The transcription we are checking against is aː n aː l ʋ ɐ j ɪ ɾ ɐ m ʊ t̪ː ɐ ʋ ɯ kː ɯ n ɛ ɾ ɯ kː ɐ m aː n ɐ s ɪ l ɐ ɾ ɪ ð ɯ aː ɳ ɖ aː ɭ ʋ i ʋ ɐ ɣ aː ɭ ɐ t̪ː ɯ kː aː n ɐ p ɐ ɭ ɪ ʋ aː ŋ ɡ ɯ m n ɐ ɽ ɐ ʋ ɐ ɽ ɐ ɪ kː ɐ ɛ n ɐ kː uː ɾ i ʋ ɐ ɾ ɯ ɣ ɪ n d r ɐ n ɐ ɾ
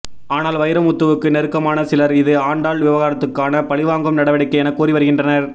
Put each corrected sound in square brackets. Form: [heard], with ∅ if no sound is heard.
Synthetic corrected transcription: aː n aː l ʋ ɐ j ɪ ɾ ɐ m ʊ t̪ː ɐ ʋ ɯ kː ɯ n ɛ ɾ ɯ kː ɐ m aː n ɐ s ɪ l ɐ ɾ ɪ ð ɯ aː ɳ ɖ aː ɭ ʋ [ɪ] ʋ ɐ ɣ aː [ɾ] ɐ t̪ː ɯ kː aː n ɐ p ɐ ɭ ɪ ʋ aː ŋ ɡ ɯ m n ɐ ɽ ɐ ʋ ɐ ɽ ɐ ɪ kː ɐ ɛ n ɐ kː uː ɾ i ʋ ɐ ɾ ɯ ɣ ɪ n d r ɐ n ɐ ɾ

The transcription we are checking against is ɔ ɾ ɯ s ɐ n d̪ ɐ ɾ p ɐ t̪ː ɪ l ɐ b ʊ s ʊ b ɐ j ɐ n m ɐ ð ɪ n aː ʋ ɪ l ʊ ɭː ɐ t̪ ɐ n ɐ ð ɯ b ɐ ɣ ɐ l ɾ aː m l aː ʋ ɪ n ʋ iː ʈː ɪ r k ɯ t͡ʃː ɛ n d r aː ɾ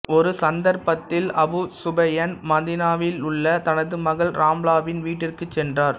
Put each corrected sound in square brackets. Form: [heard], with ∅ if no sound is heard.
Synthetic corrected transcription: ɔ ɾ ɯ s ɐ n d̪ ɐ ɾ p ɐ t̪ː ɪ l ɐ b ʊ s ʊ b ɐ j ɐ n m ɐ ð ɪ n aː ʋ ɪ l ʊ ɭː ɐ t̪ ɐ n ɐ ð ɯ [m] ɐ ɣ ɐ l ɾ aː m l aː ʋ ɪ n ʋ iː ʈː ɪ r k ɯ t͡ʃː ɛ n d r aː ɾ

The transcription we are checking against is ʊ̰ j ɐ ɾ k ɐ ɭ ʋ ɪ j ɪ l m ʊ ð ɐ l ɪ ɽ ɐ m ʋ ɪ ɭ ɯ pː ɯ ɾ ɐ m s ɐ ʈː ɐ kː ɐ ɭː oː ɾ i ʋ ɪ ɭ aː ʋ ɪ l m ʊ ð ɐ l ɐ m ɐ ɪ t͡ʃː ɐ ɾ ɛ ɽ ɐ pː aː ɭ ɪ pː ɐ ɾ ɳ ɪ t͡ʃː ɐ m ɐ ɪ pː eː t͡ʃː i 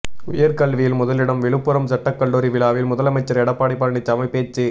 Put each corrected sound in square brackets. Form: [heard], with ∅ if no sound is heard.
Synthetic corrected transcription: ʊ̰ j ɐ ɾ k ɐ ɭ ʋ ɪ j ɪ l m ʊ ð ɐ l ɪ ɽ ɐ m ʋ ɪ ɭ ɯ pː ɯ ɾ ɐ m s ɐ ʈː ɐ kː ɐ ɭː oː ɾ i ʋ ɪ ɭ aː ʋ ɪ l m ʊ ð ɐ l ɐ m ɐ ɪ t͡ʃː ɐ ɾ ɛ ɽ ɐ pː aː [ɽ] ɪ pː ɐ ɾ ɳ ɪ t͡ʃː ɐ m ɐ ɪ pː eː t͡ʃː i

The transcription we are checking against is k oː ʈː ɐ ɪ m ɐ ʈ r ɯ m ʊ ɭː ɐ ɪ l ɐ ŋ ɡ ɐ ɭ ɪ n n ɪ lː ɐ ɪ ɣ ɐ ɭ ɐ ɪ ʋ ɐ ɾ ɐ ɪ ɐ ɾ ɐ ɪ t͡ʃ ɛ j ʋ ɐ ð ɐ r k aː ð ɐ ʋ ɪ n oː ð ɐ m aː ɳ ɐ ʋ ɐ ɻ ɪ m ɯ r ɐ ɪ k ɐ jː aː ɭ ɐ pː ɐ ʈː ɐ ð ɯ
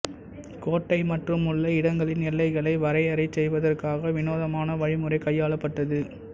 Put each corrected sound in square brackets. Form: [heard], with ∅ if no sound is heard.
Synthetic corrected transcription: k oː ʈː ɐ ɪ m ɐ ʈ r ɯ m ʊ ɭː ɐ ɪ [ɽ] ɐ ŋ ɡ ɐ ɭ ɪ n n ɪ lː ɐ ɪ ɣ ɐ ɭ ɐ ɪ ʋ ɐ ɾ ɐ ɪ ɐ ɾ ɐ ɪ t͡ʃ ɛ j ʋ ɐ ð ɐ r k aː [ɣ] ɐ ʋ ɪ n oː ð ɐ m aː [n] ɐ ʋ ɐ ɻ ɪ m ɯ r ɐ ɪ k ɐ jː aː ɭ ɐ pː ɐ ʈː ɐ ð ɯ

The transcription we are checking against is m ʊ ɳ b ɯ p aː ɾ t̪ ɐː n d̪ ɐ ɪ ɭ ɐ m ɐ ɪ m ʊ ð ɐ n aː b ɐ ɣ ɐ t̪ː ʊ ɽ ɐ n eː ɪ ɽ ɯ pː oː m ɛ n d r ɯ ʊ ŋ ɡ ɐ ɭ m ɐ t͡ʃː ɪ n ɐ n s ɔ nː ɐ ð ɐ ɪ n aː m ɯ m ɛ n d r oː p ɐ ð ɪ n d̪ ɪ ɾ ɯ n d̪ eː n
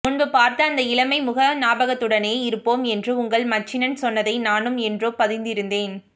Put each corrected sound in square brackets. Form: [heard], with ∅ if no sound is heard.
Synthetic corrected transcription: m ʊ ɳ b ɯ p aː ɾ t̪ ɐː n d̪ ɐ ɪ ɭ ɐ m ɐ ɪ m ʊ [ɣ] ɐ n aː b ɐ ɣ ɐ t̪ː [ɯ] ɽ ɐ n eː ɪ [ɾ] ɯ pː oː m ɛ n d r ɯ ʊ ŋ ɡ ɐ ɭ m ɐ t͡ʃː ɪ n ɐ n s ɔ nː ɐ ð ɐ ɪ n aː [n] ɯ m ɛ n d r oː p ɐ ð ɪ n d̪ ɪ ɾ ɯ n d̪ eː n

